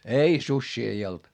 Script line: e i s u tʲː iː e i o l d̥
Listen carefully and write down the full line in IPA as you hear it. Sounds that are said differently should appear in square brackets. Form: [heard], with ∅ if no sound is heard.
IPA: e i s u [sʲː] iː e i o l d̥